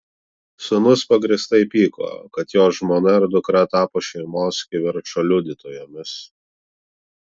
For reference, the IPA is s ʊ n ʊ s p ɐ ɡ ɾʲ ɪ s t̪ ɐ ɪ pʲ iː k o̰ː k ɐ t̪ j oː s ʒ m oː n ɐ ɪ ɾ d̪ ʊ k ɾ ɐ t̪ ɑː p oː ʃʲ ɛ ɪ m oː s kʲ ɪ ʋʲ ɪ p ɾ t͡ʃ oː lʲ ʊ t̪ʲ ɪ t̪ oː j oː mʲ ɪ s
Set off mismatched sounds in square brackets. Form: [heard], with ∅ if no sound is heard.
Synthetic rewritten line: s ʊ n ʊ s p ɐ ɡ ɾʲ ɪ s t̪ ɐ ɪ pʲ iː k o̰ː k ɐ t̪ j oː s ʒ m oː n ɐ ɪ ɾ d̪ ʊ k ɾ ɐ t̪ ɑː p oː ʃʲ ɛ ɪ m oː s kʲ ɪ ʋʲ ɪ [∅] ɾ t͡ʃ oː lʲ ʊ [d̪ʲ] ɪ t̪ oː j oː mʲ ɪ s